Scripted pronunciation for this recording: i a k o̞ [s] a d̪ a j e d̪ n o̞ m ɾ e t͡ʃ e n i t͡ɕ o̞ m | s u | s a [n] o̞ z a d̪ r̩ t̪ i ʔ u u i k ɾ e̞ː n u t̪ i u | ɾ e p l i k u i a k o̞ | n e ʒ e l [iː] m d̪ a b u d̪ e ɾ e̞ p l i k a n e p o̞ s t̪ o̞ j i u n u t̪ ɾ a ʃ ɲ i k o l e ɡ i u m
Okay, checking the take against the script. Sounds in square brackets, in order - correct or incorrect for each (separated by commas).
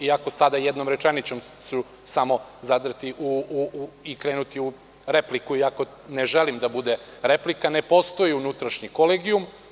correct, incorrect, incorrect